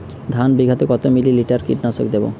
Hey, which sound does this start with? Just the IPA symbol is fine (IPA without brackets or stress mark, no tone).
d̪ʱ